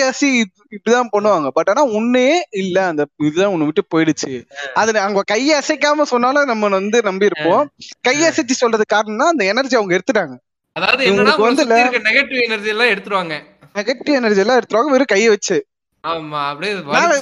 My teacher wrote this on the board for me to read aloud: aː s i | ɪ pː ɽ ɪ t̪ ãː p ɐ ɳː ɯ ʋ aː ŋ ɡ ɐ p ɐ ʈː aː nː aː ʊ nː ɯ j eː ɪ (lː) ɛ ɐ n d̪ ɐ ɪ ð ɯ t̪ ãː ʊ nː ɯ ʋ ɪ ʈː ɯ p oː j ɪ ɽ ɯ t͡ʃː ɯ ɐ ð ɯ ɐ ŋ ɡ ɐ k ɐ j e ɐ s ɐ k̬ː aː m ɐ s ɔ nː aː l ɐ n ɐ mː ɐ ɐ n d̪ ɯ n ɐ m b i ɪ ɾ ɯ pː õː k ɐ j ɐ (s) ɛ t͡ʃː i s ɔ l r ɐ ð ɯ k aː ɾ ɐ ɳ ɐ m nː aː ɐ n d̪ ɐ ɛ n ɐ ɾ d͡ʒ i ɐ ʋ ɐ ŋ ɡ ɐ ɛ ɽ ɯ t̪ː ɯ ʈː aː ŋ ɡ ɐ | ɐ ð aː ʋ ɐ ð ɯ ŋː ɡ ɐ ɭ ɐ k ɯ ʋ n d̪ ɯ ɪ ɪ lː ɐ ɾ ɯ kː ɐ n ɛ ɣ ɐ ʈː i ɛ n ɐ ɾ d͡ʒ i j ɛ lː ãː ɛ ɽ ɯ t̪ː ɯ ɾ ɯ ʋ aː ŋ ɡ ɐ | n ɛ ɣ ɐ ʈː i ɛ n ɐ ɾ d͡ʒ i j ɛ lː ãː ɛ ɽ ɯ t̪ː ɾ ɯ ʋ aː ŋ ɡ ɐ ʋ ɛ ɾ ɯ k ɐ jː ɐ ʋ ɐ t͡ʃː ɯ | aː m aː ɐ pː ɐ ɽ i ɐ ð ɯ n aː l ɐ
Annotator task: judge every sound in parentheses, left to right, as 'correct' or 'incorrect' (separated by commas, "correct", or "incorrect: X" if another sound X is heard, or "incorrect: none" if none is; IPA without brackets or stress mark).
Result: correct, correct